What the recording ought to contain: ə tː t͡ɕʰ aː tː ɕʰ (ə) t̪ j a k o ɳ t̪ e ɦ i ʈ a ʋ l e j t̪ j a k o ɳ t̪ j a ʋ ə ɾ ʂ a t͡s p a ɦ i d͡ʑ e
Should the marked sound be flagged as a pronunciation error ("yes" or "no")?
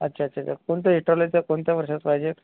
yes